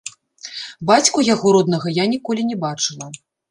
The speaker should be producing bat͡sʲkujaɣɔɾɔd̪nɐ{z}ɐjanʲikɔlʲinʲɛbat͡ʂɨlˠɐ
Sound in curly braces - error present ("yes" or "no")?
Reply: yes